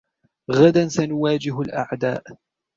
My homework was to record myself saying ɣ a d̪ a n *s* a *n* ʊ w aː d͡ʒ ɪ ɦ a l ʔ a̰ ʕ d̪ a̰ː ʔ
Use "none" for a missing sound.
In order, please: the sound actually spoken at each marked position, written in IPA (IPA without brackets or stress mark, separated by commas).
s, n